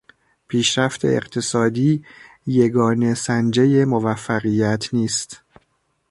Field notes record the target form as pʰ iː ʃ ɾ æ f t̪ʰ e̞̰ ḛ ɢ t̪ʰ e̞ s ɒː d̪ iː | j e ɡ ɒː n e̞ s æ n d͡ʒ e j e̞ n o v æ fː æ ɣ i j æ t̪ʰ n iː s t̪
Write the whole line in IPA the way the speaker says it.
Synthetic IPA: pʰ iː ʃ ɾ æ f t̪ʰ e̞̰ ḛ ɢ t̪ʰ e̞ s ɒː d̪ iː | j e ɡ ɒː n e̞ s æ n d͡ʒ e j e̞ m o v æ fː æ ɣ i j æ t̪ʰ n iː s t̪